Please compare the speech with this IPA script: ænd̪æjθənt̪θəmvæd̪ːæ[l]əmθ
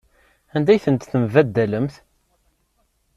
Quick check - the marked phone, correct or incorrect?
correct